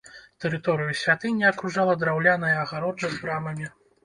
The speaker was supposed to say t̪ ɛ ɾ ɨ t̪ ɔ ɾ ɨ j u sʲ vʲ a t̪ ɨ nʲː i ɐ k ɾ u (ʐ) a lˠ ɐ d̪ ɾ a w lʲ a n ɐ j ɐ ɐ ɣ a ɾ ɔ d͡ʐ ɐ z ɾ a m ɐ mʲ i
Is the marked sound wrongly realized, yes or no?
no